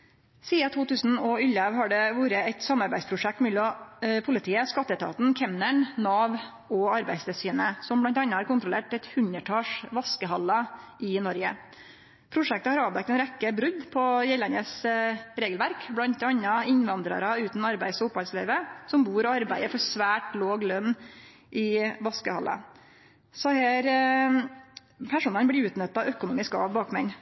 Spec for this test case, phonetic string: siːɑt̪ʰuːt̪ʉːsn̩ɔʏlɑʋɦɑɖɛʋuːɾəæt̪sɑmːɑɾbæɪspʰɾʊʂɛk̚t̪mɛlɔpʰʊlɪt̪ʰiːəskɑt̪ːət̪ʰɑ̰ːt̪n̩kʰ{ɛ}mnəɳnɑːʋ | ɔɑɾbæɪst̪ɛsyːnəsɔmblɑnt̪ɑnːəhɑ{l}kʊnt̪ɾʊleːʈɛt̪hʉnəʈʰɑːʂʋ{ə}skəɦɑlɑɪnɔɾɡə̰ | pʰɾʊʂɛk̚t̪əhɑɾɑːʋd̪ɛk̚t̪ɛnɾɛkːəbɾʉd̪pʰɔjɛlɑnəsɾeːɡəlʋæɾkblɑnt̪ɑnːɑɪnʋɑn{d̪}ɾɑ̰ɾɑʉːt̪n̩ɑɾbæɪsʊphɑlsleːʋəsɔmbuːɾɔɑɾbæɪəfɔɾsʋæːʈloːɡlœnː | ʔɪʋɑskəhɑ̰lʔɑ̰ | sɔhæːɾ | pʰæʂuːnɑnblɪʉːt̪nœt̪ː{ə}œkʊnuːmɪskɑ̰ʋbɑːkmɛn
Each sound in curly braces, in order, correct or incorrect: correct, incorrect, incorrect, correct, incorrect

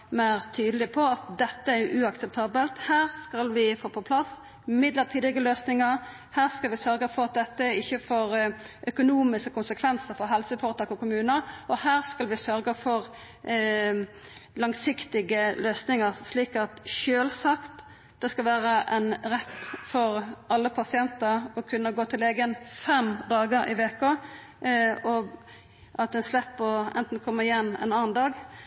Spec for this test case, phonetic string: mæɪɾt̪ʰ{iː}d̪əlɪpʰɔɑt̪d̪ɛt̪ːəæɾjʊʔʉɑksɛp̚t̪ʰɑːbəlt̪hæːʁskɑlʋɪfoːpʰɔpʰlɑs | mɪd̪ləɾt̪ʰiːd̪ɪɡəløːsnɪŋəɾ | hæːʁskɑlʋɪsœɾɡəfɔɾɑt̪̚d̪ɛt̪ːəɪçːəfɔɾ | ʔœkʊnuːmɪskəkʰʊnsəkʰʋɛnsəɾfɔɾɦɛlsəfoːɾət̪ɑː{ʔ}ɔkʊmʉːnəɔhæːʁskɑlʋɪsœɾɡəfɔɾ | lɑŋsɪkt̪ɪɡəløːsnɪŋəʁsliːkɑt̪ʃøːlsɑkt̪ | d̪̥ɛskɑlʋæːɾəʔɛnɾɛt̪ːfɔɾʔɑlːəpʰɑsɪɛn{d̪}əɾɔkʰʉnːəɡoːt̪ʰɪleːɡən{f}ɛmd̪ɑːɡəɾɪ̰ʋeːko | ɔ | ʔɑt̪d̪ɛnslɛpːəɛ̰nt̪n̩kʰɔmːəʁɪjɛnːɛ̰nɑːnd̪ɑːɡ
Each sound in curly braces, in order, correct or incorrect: incorrect, incorrect, incorrect, correct

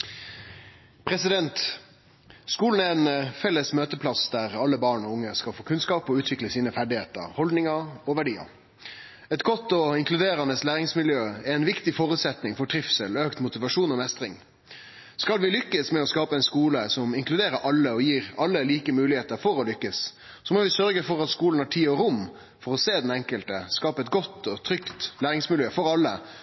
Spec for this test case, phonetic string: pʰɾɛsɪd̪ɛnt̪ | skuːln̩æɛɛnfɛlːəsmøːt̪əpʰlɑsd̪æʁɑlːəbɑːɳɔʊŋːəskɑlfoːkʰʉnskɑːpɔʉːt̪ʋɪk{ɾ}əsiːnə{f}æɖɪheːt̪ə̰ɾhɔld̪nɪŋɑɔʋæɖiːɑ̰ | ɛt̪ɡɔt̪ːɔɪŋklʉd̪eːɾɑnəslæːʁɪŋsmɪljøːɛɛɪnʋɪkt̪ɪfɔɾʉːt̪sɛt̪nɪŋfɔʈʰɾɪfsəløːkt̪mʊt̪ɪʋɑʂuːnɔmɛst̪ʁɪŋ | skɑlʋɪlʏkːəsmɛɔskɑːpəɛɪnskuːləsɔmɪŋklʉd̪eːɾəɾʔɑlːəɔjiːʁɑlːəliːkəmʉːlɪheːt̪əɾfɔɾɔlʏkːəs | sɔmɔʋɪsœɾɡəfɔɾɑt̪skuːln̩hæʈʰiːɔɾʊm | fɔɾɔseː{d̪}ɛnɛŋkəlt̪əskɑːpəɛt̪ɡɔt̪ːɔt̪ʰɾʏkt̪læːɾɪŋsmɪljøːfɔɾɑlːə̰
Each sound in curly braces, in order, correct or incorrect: incorrect, correct, correct

